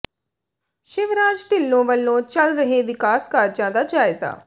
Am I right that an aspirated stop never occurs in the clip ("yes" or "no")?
yes